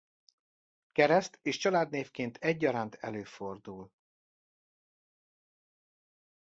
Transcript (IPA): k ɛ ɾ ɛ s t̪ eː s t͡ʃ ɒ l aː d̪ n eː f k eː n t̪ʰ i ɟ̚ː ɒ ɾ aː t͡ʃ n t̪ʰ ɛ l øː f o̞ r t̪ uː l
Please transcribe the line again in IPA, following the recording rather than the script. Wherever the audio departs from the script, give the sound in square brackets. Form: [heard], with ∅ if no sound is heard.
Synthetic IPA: k ɛ ɾ ɛ s t̪ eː [ʃ] t͡ʃ ɒ l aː d̪ n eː f k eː n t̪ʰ [ɛ] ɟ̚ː ɒ ɾ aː [∅] n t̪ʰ ɛ l øː f o̞ r [d̪] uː l